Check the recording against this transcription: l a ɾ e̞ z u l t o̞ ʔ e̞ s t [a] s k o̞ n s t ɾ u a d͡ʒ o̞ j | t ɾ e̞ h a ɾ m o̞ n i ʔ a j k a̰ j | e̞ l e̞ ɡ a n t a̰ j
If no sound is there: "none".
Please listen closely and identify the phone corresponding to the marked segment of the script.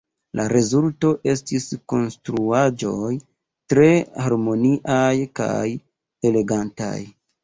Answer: i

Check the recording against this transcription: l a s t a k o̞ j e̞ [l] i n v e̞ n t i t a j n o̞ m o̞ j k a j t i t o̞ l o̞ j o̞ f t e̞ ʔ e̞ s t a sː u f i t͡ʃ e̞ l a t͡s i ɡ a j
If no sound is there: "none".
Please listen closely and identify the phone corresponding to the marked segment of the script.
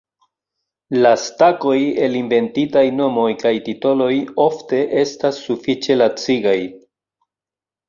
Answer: l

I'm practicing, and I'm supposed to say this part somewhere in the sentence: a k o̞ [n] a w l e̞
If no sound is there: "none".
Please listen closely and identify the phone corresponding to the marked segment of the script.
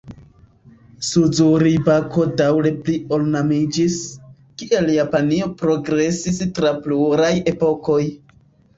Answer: d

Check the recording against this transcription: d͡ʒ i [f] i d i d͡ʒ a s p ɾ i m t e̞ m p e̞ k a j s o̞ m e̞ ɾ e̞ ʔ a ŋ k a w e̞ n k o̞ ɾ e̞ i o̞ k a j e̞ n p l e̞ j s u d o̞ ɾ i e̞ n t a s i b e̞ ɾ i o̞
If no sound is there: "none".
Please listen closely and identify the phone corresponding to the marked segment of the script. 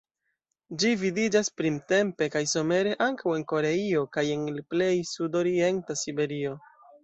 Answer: v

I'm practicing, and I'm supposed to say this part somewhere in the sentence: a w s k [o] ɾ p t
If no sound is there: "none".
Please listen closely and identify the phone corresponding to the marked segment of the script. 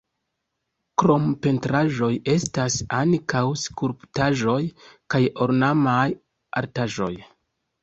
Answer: u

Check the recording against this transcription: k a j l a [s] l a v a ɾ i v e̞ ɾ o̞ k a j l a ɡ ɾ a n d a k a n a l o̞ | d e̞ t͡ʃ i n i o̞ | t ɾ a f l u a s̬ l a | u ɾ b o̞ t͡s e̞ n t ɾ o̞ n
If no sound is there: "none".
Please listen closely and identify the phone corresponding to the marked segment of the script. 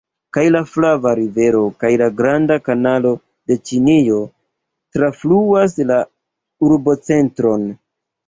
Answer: f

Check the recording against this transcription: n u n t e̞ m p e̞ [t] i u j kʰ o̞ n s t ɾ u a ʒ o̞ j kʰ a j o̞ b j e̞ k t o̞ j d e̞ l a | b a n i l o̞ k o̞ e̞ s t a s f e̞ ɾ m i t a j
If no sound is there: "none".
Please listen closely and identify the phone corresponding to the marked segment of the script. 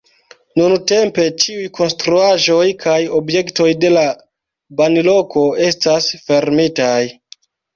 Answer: t͡ʃ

